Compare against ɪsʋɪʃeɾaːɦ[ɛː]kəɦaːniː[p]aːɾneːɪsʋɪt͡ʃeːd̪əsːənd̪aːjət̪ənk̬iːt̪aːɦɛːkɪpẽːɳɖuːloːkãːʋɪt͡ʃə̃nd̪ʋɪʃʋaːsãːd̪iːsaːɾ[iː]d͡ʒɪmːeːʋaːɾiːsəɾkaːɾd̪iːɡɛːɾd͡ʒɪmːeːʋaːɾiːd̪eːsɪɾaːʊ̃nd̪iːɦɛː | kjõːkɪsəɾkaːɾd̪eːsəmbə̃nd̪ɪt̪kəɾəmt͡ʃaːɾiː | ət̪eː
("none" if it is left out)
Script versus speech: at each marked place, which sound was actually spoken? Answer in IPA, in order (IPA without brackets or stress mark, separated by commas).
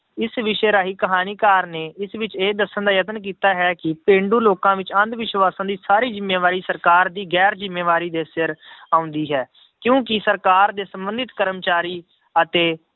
iː, k, iː